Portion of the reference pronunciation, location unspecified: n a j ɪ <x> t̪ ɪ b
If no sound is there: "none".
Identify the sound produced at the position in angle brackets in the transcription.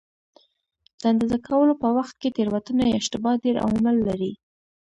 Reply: ʃ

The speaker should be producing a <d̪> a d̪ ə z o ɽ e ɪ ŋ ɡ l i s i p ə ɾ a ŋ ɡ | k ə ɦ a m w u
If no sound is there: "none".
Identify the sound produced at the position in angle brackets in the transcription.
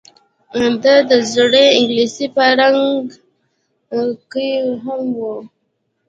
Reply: d̪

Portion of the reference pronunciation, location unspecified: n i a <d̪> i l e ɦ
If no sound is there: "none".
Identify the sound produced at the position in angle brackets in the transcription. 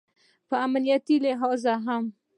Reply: t̪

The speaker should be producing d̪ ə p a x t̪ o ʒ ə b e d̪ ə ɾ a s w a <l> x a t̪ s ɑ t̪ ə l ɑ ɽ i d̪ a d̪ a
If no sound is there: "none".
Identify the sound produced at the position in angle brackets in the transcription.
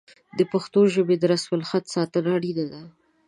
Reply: l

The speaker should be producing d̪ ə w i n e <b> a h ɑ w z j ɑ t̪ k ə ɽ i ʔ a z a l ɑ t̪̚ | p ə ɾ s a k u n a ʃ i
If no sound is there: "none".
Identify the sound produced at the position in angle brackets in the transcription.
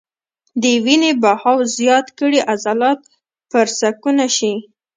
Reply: b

